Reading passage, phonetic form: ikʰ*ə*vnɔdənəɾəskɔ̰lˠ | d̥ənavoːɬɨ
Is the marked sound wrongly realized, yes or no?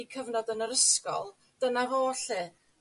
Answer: no